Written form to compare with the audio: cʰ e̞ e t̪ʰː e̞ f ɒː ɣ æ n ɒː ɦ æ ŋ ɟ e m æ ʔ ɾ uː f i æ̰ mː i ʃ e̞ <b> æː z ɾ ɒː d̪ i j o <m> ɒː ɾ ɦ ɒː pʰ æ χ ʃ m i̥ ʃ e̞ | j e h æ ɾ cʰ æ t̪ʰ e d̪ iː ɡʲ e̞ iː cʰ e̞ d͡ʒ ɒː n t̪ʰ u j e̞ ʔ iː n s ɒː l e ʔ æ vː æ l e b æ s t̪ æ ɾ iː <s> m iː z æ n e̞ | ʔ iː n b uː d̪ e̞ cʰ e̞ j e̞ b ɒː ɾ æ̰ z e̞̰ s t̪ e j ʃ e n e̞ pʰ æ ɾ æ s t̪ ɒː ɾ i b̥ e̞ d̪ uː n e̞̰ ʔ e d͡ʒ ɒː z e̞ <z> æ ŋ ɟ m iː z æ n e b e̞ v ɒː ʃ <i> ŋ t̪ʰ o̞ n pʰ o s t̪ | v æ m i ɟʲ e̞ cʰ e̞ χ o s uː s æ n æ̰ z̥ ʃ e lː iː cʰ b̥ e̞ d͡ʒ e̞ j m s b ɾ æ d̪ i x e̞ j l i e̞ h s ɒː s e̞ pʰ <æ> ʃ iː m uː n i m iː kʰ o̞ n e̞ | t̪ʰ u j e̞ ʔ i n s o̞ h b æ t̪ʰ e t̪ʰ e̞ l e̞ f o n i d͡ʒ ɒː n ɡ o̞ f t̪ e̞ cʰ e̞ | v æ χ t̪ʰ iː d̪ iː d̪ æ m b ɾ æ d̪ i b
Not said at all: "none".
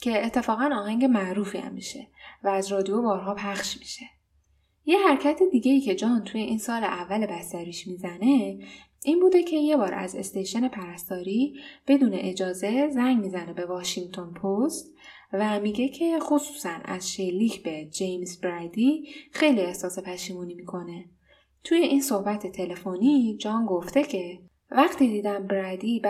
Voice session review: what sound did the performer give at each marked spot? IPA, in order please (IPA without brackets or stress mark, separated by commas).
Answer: v, b, ʃ, z, i, æ